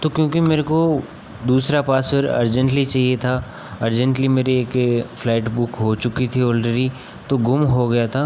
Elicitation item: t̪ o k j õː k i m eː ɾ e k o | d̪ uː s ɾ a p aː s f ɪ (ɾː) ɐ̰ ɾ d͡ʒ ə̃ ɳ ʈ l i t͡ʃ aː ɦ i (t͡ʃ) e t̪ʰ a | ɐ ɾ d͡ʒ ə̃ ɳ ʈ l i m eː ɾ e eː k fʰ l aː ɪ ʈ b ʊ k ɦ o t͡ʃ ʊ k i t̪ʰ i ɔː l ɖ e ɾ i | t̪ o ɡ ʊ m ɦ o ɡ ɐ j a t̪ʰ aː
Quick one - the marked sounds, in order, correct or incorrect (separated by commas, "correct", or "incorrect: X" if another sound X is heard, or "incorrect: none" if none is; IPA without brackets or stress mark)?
incorrect: ɾ, incorrect: none